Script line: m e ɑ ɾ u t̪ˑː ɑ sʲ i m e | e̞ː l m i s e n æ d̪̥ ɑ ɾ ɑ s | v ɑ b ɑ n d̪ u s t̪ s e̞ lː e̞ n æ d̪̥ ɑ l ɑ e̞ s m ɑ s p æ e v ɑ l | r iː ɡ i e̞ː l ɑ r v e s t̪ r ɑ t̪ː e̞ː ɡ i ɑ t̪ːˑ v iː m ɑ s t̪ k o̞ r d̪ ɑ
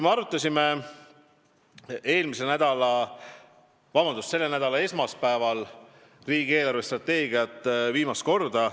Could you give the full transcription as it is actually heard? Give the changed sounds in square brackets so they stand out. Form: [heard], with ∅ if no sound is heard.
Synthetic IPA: m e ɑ ɾ u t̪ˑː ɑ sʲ i m e | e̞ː l m i s e n æ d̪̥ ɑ [l] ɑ [∅] | v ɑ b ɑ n d̪ u s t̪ s e̞ lː e̞ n æ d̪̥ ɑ l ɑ e̞ s m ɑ s p æ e v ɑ l | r iː ɡ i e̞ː l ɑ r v e s t̪ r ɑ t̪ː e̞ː ɡ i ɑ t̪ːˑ v iː m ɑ s t̪ k o̞ r d̪ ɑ